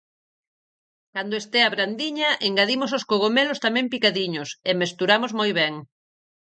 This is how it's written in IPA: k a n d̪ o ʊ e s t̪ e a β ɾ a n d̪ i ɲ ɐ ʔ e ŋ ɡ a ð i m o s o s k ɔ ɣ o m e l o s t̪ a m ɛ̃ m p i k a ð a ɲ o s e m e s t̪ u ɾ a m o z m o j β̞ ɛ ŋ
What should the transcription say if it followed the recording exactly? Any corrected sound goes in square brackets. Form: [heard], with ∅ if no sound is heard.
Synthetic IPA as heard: k a n d̪ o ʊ e s t̪ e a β ɾ a n d̪ i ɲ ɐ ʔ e ŋ ɡ a ð i m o s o s k [o] ɣ o m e l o s t̪ a m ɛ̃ m p i k a ð [i] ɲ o s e m e s t̪ u ɾ a m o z m o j β̞ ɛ ŋ